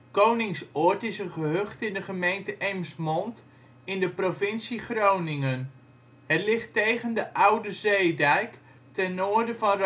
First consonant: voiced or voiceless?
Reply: voiceless